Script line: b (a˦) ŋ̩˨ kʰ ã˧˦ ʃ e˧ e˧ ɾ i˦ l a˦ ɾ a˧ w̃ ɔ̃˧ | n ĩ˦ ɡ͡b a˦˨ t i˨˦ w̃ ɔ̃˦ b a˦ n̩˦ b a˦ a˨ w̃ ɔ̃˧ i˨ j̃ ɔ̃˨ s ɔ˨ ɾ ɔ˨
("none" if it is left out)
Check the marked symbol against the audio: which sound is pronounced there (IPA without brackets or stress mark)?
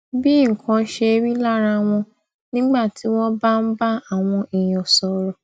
i˦